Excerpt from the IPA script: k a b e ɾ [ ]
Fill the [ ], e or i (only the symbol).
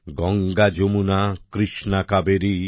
i